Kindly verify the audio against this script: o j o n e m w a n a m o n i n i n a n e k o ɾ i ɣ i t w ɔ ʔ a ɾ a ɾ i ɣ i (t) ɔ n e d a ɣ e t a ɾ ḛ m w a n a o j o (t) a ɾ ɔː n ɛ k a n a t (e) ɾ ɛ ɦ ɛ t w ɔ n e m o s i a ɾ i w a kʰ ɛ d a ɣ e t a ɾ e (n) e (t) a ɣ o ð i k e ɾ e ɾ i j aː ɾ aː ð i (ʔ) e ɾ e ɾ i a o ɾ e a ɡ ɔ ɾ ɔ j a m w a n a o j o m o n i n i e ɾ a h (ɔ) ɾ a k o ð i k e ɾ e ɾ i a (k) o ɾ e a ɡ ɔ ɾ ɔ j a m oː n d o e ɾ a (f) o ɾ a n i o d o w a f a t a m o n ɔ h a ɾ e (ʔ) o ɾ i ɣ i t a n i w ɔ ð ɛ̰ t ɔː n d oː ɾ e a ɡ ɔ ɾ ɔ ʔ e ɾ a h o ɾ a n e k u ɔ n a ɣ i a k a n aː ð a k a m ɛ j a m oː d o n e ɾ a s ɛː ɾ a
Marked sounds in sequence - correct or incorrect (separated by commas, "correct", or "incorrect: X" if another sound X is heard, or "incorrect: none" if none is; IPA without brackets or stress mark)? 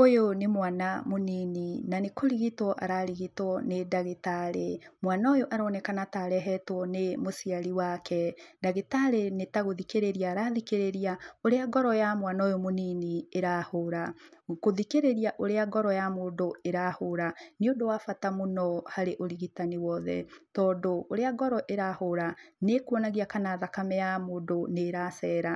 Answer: correct, incorrect: ʔ, incorrect: a, correct, correct, incorrect: k, incorrect: o, incorrect: ʔ, incorrect: h, correct